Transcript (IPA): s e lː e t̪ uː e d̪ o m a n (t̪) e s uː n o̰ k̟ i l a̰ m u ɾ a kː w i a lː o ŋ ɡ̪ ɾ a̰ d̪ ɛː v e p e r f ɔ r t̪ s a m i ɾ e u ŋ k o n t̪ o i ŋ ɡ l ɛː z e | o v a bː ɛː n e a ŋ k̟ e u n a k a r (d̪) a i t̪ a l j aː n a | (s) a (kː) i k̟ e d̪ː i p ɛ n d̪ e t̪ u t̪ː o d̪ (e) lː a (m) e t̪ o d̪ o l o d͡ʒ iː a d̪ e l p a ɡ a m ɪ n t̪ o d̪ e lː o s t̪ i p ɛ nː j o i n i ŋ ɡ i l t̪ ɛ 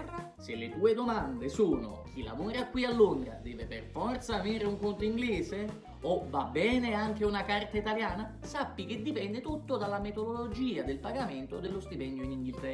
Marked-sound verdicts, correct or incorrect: incorrect: d̪, incorrect: t̪, correct, incorrect: pː, incorrect: a, correct

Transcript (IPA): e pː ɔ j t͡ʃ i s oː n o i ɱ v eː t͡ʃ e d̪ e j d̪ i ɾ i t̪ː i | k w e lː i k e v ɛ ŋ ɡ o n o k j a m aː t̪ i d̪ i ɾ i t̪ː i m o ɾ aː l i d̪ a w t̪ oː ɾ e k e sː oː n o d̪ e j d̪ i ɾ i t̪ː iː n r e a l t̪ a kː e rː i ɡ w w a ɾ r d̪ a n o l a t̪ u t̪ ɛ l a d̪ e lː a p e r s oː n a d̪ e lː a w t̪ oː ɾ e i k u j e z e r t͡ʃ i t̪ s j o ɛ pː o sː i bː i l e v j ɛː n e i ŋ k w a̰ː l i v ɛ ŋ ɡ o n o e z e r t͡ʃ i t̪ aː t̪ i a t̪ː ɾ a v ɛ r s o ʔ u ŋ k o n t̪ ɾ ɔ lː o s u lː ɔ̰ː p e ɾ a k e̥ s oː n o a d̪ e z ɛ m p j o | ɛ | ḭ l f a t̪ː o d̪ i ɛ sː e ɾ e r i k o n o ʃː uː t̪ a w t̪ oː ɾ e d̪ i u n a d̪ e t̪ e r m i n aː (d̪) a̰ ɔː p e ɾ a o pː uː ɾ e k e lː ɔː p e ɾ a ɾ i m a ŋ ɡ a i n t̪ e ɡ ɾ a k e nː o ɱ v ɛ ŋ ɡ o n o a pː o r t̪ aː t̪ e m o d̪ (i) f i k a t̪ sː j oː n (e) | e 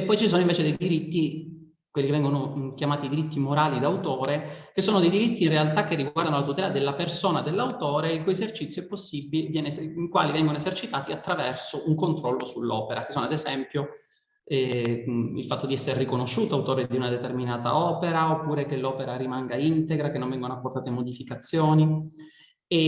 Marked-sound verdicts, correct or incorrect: incorrect: t̪, correct, incorrect: i

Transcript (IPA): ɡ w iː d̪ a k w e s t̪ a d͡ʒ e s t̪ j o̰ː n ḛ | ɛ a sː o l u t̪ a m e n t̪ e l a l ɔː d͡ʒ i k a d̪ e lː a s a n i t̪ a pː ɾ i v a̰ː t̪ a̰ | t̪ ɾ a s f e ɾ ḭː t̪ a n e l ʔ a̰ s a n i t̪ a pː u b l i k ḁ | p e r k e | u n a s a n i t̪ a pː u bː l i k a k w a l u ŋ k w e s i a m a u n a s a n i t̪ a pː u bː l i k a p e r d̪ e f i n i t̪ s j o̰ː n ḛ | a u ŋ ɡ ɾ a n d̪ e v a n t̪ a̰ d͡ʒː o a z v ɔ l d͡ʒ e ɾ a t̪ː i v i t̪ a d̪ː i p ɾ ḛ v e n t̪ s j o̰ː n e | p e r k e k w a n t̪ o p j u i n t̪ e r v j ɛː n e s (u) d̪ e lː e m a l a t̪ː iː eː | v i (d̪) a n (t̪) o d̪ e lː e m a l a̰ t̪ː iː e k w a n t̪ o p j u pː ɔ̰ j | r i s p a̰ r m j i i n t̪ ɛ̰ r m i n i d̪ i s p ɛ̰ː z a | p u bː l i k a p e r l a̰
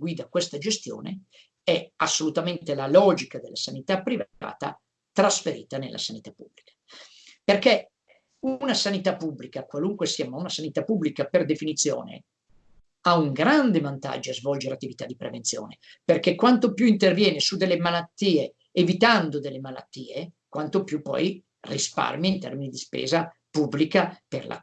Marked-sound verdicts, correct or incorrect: correct, incorrect: t̪, incorrect: d̪

